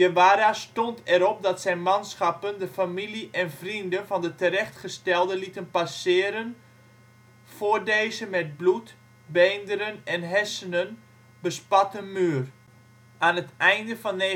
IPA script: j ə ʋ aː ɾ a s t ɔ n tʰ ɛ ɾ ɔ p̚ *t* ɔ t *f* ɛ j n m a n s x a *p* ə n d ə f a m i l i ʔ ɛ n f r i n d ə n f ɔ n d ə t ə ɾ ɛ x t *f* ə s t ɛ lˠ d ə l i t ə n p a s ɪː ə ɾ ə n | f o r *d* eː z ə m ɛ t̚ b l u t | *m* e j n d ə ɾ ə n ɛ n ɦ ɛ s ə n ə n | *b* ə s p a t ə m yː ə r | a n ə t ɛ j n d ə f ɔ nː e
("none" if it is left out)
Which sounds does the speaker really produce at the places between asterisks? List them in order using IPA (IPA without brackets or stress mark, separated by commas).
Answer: d, s, p, χ, d, b, b